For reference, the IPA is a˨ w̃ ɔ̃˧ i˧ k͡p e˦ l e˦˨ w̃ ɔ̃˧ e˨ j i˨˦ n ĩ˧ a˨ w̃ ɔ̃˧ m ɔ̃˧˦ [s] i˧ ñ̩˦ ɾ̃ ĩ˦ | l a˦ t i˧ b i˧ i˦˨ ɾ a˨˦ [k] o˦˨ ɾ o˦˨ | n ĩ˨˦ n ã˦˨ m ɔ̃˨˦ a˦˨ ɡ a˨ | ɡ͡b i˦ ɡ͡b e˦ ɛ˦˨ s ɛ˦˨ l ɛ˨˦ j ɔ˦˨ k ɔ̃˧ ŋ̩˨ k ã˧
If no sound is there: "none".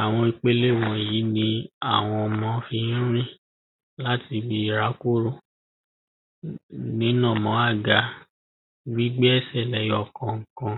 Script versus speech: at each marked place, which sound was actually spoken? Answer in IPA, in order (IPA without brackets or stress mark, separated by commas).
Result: f, k